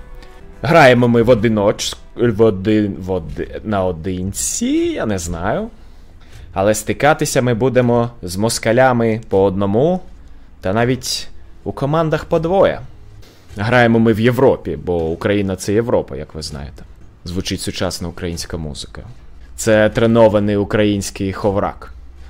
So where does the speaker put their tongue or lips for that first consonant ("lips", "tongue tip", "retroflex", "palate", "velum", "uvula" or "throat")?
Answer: throat